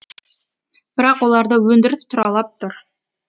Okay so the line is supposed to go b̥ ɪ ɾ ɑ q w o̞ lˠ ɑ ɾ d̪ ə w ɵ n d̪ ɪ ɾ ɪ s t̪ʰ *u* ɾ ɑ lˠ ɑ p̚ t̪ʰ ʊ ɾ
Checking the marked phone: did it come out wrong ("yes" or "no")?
yes